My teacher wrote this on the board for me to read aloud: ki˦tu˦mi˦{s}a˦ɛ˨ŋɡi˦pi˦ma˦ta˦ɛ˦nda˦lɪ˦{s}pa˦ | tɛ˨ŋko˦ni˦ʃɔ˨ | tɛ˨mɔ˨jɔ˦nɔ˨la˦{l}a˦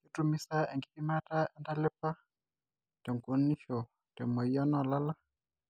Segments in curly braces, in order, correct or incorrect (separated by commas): correct, incorrect, correct